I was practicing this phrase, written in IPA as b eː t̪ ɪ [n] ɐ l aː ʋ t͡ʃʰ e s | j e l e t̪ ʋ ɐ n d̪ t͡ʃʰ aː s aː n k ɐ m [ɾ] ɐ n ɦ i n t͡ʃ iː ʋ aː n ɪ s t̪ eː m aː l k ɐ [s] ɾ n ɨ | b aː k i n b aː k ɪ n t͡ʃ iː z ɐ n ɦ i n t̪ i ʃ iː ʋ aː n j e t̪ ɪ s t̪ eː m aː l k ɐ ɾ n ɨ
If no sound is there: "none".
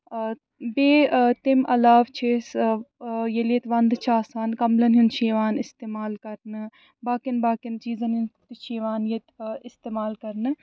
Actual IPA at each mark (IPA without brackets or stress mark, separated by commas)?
m, l, none